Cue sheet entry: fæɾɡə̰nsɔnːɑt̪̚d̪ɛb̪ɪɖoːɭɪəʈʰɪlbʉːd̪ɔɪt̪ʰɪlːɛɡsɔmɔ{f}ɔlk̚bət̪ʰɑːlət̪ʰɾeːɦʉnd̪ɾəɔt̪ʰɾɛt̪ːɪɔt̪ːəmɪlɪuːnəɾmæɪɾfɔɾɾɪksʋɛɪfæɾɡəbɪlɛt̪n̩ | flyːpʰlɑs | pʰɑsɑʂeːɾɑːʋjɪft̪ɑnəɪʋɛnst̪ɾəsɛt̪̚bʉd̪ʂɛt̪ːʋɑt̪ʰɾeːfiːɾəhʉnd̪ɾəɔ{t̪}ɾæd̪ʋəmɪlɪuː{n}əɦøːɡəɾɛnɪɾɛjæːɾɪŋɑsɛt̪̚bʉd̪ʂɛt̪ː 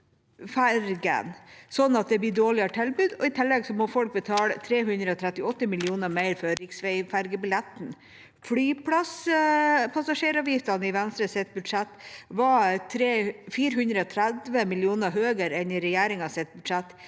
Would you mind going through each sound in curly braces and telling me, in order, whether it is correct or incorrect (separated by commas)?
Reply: correct, incorrect, correct